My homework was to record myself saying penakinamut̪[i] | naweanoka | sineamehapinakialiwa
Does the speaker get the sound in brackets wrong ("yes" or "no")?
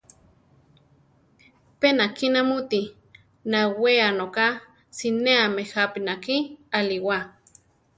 no